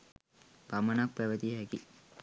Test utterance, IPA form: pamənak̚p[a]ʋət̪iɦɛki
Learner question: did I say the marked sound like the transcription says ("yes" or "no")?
no